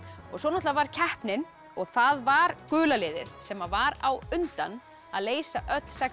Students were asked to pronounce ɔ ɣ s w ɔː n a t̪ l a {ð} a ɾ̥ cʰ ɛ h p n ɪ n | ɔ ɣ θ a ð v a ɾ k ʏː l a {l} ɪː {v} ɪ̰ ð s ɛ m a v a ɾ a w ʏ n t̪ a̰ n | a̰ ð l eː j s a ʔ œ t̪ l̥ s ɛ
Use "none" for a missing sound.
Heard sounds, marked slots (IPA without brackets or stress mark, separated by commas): v, l, ð